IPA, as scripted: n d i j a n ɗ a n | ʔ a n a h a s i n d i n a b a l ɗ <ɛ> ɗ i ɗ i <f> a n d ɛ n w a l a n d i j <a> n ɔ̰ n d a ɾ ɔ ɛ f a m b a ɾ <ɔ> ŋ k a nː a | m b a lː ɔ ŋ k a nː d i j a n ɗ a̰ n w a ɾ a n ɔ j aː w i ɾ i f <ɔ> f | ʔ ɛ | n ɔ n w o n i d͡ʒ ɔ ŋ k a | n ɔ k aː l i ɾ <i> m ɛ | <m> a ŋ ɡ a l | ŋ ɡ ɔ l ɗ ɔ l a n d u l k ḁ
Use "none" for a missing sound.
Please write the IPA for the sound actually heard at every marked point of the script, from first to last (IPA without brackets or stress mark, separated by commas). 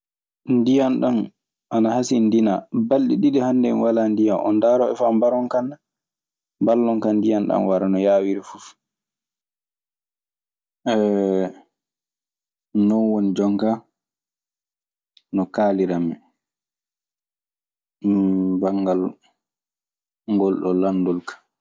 i, h, a, ɔ, u, a, b